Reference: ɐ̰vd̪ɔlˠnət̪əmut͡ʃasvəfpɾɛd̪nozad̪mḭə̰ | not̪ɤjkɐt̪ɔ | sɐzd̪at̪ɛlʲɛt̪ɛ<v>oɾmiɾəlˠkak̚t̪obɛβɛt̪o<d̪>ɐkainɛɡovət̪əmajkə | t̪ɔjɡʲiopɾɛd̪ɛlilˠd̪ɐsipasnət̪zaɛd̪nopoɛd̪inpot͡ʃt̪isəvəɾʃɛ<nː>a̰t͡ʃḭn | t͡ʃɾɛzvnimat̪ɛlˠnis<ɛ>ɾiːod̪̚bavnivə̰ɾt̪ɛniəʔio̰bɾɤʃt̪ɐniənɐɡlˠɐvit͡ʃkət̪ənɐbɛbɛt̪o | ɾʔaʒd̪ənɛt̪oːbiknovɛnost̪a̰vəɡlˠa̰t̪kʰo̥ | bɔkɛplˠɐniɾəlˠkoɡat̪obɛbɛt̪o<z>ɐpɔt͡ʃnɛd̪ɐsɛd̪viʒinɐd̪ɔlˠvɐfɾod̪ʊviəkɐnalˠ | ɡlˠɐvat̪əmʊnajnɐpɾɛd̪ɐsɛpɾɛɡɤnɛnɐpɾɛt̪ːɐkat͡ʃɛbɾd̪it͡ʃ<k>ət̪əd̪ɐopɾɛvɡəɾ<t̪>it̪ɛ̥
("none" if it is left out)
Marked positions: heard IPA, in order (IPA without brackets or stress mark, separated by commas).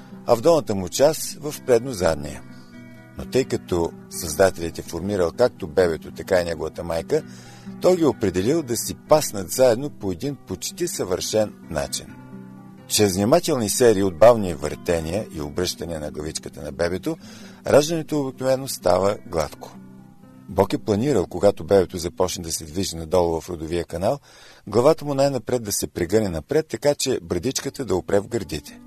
f, t̪, nː, ɛ, z, k, d̪